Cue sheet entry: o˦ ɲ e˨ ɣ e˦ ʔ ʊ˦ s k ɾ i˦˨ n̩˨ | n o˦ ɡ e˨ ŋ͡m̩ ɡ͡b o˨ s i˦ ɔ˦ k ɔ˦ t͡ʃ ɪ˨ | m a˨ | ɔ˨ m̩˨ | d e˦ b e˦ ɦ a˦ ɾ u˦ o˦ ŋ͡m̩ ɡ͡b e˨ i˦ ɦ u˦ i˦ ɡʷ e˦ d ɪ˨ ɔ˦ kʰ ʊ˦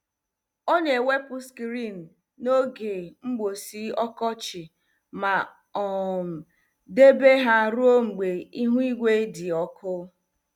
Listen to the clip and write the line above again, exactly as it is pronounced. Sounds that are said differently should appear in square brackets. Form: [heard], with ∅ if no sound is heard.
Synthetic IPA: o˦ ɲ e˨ [w] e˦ [p] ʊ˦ s k ɾ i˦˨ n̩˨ | n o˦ ɡ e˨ ŋ͡m̩ ɡ͡b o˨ s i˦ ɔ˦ k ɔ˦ t͡ʃ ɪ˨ | m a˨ | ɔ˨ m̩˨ | d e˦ b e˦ ɦ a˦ ɾ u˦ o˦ ŋ͡m̩ ɡ͡b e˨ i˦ ɦ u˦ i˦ ɡʷ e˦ d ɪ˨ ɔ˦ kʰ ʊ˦